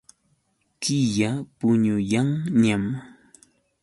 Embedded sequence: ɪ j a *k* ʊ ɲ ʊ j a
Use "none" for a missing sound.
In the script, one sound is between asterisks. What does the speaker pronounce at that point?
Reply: p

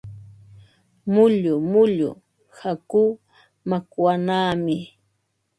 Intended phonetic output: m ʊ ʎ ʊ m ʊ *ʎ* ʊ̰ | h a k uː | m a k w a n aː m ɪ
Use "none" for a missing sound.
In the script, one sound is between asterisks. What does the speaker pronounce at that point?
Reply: ʎ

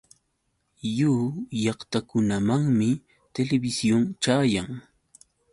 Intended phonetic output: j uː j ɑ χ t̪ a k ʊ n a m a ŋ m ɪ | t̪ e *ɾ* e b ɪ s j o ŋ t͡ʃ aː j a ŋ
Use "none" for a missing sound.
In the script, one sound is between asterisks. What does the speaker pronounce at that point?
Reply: l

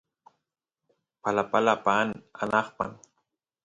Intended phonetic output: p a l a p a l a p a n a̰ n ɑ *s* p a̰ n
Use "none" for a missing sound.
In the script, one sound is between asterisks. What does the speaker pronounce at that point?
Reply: χ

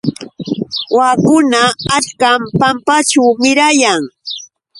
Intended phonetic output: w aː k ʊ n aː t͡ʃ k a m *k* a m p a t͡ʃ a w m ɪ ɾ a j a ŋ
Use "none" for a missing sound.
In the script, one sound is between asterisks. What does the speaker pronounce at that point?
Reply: p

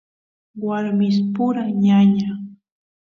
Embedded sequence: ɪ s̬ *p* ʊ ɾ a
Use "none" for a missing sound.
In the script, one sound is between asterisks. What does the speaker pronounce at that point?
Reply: p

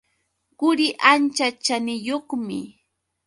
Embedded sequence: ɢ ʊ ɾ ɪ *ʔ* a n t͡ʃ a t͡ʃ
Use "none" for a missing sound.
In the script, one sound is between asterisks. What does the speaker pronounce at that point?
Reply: ʔ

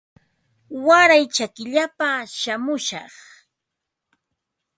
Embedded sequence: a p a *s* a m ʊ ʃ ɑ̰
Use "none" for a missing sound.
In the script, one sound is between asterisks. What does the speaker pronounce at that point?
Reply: ʃ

